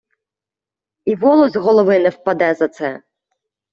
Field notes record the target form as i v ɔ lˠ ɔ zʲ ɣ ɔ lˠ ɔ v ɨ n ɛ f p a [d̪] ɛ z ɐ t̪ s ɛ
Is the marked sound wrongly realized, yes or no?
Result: no